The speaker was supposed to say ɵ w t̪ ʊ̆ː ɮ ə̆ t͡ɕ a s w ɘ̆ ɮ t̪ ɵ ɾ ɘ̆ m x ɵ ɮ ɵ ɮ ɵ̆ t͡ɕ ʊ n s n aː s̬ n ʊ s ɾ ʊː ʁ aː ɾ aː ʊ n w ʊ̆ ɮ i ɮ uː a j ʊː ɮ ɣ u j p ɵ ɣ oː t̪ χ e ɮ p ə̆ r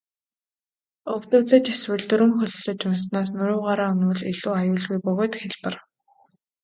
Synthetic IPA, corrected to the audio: ɵ w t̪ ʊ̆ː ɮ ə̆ t͡ɕ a s w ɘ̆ ɮ t̪ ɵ ɾ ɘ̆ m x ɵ ɮ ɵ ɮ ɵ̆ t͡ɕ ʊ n s n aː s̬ n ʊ ɾ ʊː ʁ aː ɾ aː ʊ n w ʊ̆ ɮ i ɮ uː a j ʊː ɮ ɣ u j p ɵ ɣ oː t̪ x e ɮ p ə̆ r